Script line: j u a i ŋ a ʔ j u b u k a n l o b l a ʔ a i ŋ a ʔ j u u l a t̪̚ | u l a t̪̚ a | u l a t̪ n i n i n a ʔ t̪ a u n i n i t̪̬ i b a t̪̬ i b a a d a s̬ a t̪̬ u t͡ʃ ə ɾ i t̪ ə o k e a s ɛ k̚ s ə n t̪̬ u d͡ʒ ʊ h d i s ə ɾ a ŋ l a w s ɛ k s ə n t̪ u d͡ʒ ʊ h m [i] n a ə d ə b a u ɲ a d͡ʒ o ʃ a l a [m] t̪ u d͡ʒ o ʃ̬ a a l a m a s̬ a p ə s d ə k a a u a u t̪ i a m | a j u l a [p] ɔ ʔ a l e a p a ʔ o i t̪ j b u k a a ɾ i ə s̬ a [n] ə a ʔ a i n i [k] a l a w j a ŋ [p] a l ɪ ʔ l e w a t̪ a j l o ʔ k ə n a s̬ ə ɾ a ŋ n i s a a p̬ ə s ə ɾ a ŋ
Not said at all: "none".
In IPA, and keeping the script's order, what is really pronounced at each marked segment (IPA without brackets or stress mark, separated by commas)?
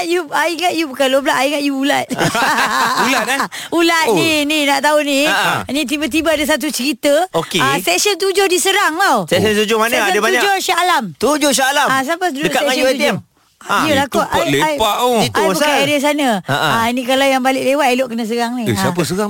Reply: a, m, k, n, k, b